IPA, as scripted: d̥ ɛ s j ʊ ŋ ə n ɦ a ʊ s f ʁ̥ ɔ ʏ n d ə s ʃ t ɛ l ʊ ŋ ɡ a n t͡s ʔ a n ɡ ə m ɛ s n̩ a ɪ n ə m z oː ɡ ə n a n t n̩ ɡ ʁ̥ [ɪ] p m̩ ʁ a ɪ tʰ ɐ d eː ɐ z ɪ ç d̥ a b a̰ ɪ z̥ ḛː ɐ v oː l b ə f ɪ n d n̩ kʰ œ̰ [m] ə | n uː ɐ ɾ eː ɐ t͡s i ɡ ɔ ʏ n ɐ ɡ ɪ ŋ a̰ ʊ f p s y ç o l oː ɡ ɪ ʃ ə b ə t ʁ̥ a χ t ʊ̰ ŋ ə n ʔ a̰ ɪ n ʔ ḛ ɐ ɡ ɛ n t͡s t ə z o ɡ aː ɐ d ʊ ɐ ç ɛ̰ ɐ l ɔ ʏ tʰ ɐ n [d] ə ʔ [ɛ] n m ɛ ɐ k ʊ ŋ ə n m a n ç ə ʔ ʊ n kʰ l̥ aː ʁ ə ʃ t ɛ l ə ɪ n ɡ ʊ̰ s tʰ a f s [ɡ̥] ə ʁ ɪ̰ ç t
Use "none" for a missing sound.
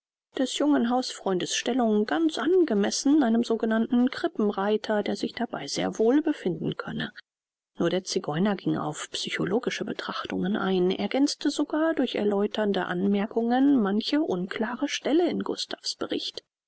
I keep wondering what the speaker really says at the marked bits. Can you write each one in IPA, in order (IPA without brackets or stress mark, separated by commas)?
ɪ, n, d, a, b̥